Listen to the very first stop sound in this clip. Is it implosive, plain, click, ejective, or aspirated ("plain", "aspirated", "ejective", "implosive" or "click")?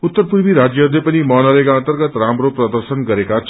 plain